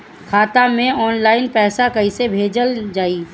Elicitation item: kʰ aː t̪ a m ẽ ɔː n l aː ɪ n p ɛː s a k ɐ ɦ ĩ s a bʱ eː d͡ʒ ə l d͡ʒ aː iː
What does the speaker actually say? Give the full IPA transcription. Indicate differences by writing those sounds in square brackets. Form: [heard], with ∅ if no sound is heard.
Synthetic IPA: kʰ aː t̪ a m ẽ ɔː n l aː ɪ n p ɛː s a k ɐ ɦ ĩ s [e] bʱ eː d͡ʒ ə l d͡ʒ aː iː

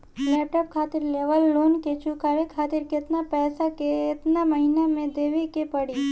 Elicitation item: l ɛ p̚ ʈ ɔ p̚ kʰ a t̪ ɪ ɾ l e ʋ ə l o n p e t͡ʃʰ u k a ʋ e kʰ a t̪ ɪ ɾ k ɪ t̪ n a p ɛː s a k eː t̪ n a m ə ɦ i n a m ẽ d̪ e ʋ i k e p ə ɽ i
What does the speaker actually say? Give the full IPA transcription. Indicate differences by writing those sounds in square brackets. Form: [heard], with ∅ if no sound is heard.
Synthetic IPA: l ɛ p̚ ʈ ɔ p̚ kʰ a t̪ ɪ ɾ l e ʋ ə [lː] o n [k] e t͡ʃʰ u k a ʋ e kʰ a t̪ ɪ ɾ k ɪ t̪ n a p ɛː s a k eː t̪ n a m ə ɦ i n a m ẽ d̪ e ʋ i k e p ə ɽ i

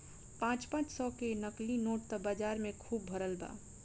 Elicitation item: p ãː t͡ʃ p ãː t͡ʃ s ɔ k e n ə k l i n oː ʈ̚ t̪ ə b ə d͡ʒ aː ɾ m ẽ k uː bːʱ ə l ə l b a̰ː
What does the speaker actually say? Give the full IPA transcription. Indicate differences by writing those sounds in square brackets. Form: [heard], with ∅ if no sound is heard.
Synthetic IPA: p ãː t͡ʃ p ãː t͡ʃ s ɔ k e n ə k l i n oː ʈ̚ t̪ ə b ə d͡ʒ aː ɾ m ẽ [kʰ] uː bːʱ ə [ɾ] ə l b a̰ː

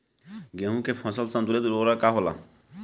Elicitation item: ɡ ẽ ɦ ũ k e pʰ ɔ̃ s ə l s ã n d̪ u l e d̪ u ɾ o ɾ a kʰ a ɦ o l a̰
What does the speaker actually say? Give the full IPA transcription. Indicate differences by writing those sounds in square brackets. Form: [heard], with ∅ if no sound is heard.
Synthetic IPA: ɡ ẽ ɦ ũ k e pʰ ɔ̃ s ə l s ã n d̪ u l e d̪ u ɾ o ɾ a [k] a ɦ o l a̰

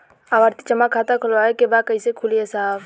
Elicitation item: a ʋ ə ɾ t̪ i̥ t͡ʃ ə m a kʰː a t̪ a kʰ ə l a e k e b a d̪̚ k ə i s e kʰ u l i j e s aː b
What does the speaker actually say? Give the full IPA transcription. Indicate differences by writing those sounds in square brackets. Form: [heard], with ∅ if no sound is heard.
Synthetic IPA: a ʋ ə ɾ t̪ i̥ t͡ʃ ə m a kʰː a t̪ a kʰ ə l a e k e b a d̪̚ k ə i s e kʰ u l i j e s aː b

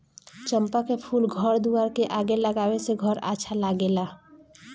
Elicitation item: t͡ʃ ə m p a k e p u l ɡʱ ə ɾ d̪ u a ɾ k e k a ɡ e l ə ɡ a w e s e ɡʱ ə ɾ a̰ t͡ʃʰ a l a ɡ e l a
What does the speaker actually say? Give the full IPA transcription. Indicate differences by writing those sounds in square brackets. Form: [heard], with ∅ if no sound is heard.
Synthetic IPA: t͡ʃ ə m p a k e [pʰ] u l ɡʱ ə ɾ d̪ u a ɾ k e [ʔ] a ɡ e l ə ɡ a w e s e ɡʱ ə ɾ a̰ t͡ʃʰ a l a ɡ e l a

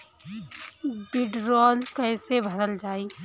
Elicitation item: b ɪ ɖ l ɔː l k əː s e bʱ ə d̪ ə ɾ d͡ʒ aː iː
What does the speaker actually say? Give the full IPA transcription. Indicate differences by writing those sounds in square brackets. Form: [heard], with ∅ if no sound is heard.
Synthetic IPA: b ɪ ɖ [ɾ] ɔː l k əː s e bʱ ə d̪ ə [l] d͡ʒ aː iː

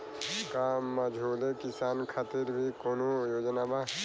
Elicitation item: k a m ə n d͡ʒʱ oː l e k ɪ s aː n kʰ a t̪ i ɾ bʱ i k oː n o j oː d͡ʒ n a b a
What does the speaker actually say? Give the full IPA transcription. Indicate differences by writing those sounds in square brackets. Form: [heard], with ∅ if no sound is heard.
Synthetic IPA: k a m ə [∅] d͡ʒʱ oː l e k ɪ s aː n kʰ a t̪ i ɾ bʱ i k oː n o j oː d͡ʒ n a b a

